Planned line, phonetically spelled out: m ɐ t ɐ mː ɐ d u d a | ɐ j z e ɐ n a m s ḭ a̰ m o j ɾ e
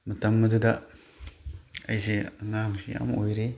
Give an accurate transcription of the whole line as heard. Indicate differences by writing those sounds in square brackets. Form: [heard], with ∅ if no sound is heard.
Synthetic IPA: m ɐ t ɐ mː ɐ d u d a | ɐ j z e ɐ n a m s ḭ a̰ m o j ɾ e